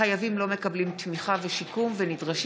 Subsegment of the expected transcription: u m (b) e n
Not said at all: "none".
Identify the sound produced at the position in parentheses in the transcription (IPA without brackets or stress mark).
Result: v